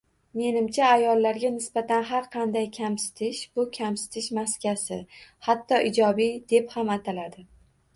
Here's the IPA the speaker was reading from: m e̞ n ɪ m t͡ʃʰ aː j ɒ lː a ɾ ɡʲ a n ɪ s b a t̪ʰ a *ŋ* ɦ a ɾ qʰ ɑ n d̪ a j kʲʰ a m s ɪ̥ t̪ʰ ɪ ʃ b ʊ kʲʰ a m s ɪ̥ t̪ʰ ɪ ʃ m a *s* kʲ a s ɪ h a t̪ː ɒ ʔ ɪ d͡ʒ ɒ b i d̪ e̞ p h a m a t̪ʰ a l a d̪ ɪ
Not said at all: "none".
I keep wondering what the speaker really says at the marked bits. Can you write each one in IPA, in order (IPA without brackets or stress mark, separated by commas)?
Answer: n, s